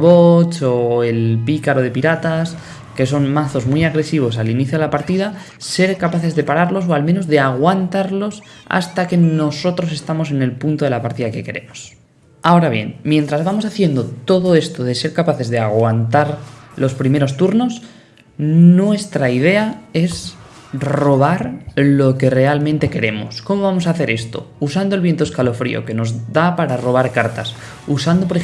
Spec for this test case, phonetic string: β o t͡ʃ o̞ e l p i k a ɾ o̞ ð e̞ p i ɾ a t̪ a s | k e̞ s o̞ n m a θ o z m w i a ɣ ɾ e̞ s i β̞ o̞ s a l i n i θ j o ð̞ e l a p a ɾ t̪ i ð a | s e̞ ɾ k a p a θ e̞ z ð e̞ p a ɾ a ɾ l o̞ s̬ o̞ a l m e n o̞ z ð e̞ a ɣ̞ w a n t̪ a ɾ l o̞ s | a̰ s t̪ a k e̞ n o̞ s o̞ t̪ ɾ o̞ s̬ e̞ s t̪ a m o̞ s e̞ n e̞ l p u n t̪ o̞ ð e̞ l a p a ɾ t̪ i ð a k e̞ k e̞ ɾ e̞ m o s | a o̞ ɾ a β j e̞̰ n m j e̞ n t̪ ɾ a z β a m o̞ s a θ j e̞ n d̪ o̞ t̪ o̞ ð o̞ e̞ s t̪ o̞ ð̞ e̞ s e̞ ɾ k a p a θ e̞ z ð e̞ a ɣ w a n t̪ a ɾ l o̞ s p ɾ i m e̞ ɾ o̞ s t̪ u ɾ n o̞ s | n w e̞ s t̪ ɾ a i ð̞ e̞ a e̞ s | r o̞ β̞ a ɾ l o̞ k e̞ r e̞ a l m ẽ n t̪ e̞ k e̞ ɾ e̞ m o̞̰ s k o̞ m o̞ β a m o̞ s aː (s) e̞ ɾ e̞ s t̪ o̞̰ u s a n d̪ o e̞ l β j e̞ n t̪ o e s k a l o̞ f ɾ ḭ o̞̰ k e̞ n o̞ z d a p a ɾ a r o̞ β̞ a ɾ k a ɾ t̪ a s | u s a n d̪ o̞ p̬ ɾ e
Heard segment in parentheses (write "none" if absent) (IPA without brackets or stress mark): θ